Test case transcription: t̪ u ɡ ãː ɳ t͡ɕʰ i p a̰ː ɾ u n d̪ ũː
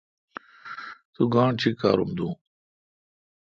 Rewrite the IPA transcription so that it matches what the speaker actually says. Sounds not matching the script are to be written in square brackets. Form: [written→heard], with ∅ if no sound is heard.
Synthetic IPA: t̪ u ɡ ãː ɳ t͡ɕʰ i [p→k] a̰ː ɾ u [n→m] d̪ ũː